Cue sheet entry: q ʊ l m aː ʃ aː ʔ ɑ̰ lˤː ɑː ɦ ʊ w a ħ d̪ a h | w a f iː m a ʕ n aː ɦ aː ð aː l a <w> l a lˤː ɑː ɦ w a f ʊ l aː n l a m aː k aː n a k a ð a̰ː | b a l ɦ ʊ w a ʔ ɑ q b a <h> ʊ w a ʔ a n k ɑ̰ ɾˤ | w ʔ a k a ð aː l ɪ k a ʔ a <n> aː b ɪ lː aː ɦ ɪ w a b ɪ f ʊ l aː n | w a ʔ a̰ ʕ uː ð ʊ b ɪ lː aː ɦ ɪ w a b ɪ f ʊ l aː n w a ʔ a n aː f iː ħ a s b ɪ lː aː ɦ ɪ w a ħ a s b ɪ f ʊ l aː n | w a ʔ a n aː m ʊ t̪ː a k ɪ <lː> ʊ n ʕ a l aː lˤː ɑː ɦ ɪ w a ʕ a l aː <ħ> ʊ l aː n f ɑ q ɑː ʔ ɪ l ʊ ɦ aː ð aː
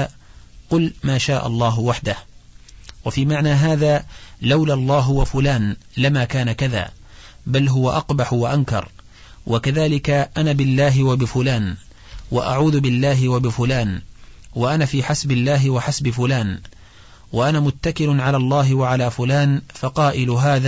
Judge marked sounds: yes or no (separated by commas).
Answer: yes, no, yes, no, no